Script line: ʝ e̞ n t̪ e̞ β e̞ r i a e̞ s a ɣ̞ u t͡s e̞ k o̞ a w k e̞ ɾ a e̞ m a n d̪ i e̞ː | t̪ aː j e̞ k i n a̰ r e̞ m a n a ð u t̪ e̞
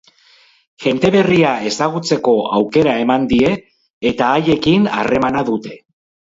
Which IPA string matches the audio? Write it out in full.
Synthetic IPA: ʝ e̞ n t̪ e̞ β e̞ r i a e̞ s a ɣ̞ u t͡s e̞ k o̞ a w k e̞ ɾ a e̞ m a n d̪ i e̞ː | t̪ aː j e̞ k i n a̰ r e̞ m a n a ð u t̪ e̞